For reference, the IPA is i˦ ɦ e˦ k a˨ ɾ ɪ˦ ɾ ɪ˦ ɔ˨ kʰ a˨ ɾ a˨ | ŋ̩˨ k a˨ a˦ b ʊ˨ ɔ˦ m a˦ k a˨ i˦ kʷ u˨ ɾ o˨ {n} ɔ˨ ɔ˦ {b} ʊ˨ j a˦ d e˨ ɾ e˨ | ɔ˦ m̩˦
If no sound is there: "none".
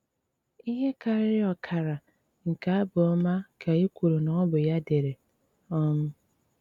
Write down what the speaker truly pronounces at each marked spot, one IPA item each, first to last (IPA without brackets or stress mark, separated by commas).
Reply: n, b